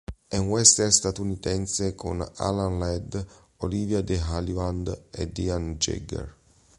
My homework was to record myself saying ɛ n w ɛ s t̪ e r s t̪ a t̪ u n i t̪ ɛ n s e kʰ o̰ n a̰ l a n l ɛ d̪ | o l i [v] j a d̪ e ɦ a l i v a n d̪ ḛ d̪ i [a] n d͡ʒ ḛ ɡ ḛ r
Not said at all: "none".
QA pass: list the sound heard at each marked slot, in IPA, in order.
v, a

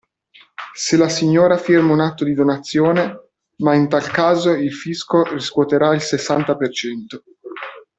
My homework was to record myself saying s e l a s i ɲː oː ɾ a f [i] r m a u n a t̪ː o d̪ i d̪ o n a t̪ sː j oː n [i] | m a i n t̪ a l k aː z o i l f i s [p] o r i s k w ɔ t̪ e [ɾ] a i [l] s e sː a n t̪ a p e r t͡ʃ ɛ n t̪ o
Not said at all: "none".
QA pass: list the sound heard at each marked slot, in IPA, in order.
i, e, k, ɾ, l

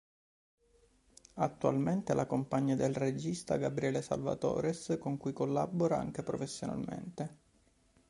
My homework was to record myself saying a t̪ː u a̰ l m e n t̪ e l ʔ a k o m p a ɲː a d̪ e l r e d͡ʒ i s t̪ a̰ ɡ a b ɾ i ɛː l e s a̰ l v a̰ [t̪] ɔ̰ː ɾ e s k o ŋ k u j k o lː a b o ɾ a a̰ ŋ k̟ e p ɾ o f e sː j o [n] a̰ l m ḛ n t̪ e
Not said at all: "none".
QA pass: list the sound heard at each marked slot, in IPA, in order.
t̪, n

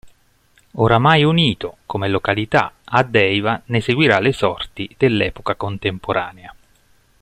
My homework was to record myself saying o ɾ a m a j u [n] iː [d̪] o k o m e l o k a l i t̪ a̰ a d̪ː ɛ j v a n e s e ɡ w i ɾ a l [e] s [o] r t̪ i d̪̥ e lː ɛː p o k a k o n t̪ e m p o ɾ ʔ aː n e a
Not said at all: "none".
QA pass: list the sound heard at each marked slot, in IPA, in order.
n, t̪, e, ɔ

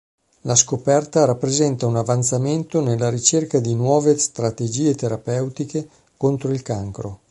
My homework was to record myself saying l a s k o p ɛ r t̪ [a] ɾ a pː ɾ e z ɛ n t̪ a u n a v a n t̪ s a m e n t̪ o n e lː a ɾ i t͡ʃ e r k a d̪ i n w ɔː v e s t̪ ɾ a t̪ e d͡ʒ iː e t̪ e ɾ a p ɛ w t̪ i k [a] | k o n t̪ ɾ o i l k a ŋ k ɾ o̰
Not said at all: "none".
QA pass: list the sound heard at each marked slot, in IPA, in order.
a, e

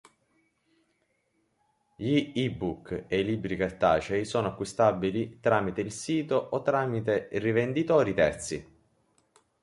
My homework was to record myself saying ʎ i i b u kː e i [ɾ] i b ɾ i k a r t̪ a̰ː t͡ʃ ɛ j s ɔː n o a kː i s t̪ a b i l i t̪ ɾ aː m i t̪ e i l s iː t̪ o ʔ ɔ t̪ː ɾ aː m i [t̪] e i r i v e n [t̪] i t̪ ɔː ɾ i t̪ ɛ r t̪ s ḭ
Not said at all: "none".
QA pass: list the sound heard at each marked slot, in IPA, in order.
l, t̪, d̪

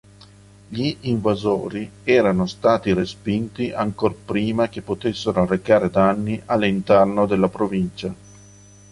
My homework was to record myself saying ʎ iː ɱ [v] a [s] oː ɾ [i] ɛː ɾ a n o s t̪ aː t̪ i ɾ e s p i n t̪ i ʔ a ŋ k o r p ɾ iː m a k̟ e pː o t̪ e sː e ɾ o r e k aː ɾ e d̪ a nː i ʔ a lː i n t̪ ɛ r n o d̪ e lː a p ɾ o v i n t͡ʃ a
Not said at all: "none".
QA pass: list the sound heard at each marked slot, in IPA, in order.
v, z, i

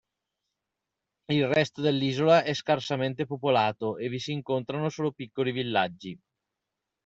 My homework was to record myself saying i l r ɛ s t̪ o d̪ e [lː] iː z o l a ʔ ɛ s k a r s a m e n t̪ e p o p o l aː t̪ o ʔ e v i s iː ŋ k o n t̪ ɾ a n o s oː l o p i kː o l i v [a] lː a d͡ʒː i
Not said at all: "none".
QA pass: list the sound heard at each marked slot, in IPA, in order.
lː, i

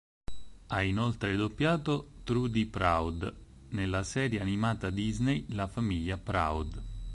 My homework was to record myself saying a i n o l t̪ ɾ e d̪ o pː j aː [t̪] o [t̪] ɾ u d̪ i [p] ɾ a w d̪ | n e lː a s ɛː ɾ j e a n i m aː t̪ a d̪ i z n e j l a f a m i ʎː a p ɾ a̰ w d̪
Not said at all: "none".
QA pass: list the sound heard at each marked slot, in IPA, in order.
t̪, t̪, p

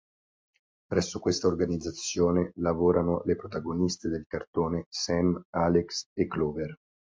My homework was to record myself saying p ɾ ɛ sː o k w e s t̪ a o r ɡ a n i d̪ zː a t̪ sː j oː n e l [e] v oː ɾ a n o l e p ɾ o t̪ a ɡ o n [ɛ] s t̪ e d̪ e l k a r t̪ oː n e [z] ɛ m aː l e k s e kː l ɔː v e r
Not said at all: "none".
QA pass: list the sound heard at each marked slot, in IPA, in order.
a, i, s

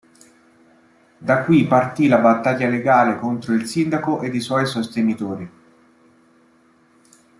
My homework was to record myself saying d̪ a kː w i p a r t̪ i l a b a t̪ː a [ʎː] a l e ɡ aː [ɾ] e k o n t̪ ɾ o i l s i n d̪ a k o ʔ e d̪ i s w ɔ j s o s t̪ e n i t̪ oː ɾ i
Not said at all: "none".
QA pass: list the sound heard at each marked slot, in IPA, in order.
ʎː, l

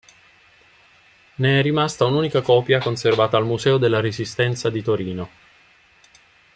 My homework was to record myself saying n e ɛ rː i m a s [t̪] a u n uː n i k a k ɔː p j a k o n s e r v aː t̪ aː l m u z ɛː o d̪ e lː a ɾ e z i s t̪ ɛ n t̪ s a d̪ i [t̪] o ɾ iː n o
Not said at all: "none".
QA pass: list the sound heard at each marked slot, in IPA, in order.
t̪, t̪

